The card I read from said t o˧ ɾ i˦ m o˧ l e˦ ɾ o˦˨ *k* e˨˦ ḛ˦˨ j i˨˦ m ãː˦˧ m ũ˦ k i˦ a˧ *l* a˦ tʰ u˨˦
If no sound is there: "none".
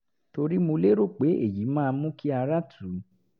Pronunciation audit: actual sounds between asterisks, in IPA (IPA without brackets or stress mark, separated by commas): k͡p, ɾ